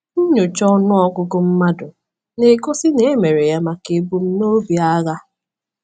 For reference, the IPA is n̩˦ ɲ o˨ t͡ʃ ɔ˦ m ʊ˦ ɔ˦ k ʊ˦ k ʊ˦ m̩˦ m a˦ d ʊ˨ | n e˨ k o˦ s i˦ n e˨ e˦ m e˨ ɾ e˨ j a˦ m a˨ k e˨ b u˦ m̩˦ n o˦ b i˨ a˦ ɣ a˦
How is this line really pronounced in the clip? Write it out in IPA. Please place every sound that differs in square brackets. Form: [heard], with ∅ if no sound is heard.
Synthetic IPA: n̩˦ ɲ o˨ t͡ʃ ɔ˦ [n] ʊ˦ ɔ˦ k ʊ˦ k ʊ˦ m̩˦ m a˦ d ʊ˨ | n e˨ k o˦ s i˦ n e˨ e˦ m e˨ ɾ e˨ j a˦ m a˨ k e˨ b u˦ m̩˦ n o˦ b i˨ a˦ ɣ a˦